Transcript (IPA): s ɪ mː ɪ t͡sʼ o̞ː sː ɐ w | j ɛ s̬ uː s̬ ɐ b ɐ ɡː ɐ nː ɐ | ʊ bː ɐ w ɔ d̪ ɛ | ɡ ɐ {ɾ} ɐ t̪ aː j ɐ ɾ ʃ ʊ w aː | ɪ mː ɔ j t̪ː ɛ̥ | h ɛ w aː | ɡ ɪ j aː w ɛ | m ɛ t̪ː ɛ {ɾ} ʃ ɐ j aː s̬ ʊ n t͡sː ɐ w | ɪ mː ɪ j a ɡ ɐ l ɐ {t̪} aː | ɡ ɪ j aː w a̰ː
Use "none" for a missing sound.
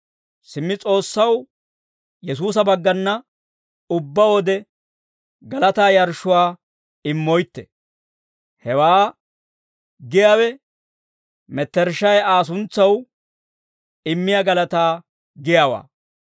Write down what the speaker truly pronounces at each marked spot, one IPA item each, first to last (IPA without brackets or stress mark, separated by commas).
l, ɾ, t̪